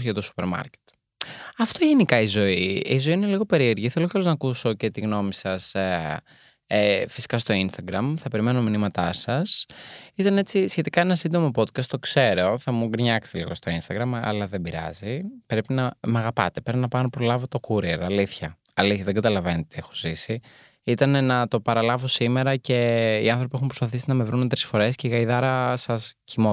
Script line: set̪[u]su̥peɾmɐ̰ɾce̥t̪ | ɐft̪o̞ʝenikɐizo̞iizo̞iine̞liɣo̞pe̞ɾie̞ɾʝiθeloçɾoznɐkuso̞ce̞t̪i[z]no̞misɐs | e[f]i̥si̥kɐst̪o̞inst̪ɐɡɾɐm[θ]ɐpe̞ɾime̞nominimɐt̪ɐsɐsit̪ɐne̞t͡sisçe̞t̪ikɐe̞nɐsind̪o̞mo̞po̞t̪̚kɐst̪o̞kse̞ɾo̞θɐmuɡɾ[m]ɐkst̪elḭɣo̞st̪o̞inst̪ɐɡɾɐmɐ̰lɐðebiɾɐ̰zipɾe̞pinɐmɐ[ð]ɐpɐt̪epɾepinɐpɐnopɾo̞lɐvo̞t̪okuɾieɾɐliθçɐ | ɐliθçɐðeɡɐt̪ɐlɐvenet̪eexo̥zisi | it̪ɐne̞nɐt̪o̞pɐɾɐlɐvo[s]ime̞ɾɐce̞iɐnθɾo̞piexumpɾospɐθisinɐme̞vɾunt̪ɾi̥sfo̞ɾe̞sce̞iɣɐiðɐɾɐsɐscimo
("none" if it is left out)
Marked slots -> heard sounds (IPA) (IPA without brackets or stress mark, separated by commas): o, ɣ, f, θ, ɲ, ɣ, s